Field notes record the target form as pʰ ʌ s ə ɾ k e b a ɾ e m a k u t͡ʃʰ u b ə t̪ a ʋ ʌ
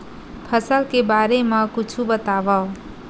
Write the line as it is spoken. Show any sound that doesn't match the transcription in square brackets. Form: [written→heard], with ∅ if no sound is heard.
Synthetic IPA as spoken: pʰ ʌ s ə [ɾ→l] k e b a ɾ e m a k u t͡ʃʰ u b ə t̪ a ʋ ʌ